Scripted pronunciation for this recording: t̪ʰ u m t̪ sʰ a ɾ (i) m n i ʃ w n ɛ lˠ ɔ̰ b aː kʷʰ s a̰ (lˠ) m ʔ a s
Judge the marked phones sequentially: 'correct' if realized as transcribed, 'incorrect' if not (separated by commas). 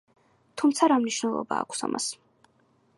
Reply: incorrect, incorrect